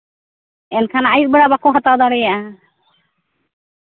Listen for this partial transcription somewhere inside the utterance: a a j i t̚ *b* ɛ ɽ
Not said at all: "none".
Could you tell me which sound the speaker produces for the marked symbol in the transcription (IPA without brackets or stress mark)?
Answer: b